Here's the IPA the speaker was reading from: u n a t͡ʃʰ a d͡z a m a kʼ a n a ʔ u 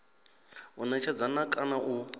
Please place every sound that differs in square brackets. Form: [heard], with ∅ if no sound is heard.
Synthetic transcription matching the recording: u n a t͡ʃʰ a d͡z a [n] a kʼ a n a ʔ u